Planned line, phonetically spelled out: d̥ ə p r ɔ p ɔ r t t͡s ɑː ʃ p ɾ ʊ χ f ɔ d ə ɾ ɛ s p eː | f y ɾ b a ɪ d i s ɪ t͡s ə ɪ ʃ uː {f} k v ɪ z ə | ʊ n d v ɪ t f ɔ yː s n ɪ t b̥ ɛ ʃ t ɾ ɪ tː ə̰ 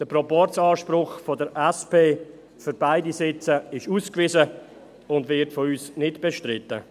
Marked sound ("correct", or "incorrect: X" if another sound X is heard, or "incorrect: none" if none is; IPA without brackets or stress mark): incorrect: s